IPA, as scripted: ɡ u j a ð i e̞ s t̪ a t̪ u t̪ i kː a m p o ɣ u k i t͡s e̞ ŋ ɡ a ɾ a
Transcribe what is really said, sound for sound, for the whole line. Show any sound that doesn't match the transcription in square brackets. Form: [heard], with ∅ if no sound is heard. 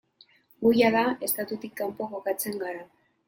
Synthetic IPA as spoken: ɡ u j a ð [a] e̞ s t̪ a t̪ u t̪ i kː a m p o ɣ [o] k [a] t͡s e̞ ŋ ɡ a ɾ a